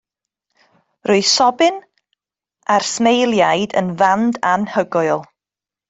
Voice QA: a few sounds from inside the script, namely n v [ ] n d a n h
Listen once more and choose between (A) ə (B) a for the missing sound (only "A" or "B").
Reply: B